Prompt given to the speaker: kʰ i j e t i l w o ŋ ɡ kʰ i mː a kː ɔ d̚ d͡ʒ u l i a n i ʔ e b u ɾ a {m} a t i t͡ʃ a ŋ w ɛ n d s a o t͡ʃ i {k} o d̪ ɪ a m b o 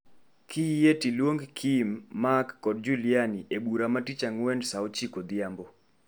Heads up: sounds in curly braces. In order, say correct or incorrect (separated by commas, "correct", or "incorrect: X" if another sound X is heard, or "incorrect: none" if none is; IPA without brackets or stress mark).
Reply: correct, correct